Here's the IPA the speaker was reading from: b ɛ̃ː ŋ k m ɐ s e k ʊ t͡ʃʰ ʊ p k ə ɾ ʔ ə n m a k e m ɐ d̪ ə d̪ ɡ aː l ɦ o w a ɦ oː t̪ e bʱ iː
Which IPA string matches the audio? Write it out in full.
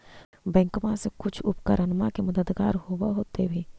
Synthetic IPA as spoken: b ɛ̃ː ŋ k m a s e k ʊ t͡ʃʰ ʊ p k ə ɾ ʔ ə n m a k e m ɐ d̪ ə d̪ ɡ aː ɾ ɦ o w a ɦ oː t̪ e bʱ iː